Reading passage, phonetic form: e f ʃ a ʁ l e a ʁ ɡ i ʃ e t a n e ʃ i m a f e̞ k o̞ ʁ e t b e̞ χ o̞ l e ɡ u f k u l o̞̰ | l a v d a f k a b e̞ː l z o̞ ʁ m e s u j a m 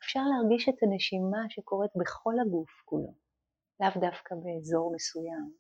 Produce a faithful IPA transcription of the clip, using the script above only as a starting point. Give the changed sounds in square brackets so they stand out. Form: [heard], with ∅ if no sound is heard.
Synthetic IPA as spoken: e f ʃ a ʁ l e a ʁ ɡ i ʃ e t a n e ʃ i m a [ʃ] e̞ k o̞ ʁ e t b e̞ χ o̞ l [a] ɡ u f k u l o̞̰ | l a v d a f k a b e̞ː [∅] z o̞ ʁ m e s u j a m